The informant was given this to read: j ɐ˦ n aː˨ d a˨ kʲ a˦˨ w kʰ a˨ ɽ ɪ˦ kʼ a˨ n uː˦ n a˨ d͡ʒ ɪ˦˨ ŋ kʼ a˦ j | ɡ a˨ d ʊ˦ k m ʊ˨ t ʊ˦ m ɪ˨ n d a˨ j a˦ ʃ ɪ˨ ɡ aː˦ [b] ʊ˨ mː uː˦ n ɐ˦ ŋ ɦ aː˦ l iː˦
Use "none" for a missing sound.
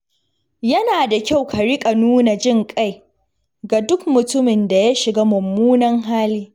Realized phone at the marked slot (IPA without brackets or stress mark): m